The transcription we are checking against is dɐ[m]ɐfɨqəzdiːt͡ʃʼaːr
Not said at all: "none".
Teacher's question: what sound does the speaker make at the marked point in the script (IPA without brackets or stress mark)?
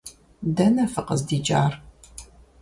n